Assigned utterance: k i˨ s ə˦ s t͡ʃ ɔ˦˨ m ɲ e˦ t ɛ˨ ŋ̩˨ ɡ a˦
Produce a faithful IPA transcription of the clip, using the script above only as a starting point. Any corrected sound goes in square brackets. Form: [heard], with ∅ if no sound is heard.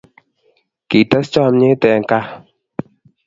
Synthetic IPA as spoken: k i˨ [t] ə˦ s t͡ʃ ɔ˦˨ m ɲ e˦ t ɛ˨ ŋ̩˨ [k] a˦